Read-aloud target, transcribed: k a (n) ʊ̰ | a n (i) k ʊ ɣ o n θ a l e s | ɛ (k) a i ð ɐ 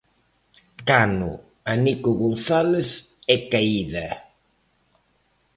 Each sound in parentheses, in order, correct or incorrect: correct, correct, correct

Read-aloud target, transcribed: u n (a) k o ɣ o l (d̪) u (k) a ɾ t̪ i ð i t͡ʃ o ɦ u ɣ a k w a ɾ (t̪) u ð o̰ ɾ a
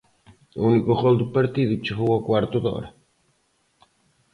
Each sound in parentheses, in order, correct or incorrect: incorrect: i, correct, incorrect: p, correct

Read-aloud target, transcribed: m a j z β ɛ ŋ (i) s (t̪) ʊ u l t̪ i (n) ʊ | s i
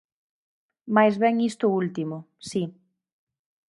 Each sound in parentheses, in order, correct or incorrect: correct, correct, incorrect: m

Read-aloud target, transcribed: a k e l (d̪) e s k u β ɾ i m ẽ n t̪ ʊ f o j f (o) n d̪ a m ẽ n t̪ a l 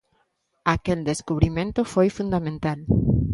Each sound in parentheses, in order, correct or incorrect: correct, incorrect: u

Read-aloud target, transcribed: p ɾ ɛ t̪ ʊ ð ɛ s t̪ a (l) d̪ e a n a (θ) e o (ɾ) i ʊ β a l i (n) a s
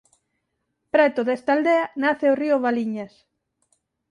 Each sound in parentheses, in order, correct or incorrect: correct, correct, incorrect: r, incorrect: ɲ

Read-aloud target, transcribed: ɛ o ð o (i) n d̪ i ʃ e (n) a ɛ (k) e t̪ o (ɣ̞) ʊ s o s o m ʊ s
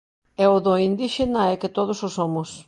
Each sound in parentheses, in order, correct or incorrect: correct, correct, correct, incorrect: ð̞

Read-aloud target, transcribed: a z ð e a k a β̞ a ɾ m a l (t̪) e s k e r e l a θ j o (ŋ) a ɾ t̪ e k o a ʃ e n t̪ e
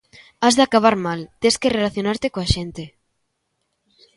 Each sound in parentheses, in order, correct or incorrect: correct, incorrect: n

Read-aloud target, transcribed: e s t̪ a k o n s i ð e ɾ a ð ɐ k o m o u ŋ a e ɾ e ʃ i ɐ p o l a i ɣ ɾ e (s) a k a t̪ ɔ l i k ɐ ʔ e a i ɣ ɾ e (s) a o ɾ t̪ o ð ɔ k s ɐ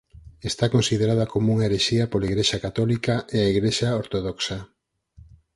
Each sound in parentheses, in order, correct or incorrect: incorrect: ʃ, incorrect: ʃ

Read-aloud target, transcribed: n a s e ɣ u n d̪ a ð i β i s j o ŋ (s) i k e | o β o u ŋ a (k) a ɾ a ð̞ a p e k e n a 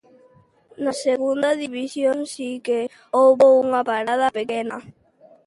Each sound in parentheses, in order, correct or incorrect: correct, incorrect: p

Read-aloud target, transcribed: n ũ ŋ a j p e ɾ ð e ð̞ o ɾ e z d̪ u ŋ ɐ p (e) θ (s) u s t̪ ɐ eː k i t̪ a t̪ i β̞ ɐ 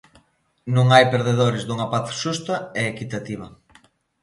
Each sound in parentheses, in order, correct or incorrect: incorrect: a, incorrect: ʃ

